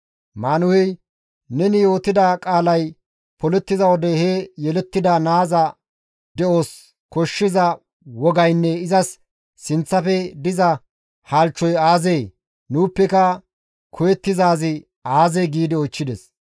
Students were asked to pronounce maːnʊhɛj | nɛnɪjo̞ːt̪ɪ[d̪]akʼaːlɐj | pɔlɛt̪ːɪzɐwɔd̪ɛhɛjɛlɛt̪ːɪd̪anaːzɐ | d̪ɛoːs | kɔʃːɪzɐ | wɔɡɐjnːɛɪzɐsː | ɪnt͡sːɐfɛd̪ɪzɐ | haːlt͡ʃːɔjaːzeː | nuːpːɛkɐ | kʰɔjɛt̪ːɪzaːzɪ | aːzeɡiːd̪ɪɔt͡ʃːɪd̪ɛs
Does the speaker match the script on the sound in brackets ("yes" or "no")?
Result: yes